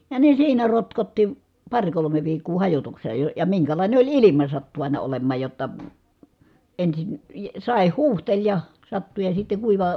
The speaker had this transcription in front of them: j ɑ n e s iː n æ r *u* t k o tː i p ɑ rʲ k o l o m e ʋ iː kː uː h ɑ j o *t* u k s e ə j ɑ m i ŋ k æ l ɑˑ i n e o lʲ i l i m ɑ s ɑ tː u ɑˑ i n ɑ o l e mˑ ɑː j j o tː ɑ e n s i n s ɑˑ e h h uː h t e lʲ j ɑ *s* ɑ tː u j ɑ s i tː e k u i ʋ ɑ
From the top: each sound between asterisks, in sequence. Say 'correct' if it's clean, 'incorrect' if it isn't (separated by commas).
incorrect, correct, correct